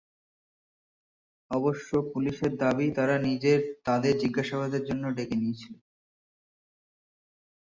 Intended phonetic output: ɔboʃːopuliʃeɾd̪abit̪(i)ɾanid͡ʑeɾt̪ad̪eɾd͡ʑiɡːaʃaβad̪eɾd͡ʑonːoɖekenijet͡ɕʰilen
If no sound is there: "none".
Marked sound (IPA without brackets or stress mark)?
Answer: a